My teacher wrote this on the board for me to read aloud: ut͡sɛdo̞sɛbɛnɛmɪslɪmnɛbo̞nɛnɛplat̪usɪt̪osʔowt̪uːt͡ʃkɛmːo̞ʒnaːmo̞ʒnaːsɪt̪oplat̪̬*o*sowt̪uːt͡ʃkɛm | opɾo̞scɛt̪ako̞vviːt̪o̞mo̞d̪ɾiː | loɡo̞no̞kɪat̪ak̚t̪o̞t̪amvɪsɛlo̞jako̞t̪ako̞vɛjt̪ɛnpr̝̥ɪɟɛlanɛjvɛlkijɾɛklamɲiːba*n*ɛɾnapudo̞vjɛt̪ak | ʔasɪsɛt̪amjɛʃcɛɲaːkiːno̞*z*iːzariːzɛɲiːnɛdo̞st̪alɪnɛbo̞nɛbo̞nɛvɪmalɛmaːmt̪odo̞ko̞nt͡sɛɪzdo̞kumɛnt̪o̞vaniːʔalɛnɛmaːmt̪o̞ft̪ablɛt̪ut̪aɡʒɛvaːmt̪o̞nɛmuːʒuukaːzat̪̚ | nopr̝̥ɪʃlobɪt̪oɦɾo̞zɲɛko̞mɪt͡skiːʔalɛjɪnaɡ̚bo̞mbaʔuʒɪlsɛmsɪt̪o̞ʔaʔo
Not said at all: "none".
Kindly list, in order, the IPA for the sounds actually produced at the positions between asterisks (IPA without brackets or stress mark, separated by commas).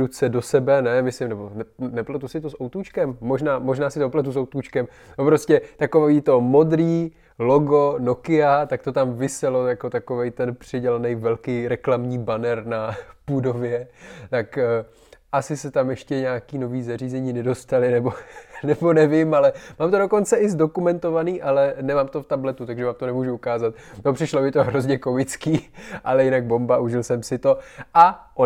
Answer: u, n, v